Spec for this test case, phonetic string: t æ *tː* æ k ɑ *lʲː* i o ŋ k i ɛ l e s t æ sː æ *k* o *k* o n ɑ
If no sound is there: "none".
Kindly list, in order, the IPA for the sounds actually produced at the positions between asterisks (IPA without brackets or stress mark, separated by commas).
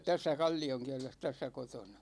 sː, lʲː, k, t